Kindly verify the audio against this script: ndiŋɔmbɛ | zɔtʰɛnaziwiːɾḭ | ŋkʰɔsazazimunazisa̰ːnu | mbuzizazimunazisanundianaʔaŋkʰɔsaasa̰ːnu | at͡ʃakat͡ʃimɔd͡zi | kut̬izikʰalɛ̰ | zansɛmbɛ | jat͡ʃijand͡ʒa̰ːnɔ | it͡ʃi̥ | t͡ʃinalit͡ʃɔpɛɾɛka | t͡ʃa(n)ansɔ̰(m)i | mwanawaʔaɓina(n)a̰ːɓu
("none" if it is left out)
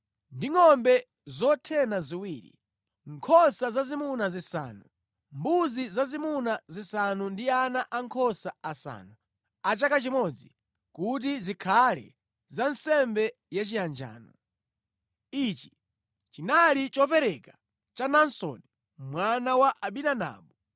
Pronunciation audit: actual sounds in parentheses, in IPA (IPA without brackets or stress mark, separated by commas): n, n, n